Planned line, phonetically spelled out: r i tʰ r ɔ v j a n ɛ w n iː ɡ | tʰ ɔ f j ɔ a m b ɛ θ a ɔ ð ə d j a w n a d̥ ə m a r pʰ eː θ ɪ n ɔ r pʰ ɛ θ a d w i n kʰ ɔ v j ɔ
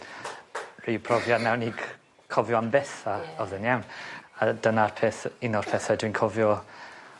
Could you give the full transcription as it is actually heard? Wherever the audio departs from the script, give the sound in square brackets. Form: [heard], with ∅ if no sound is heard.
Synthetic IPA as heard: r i [pʰ] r ɔ v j a n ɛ w n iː ɡ | [kʰ] ɔ [v] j ɔ a m b ɛ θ a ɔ ð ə [n] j a w n a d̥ ə [n] a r pʰ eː θ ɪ n ɔ r pʰ ɛ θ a d w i n kʰ ɔ v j ɔ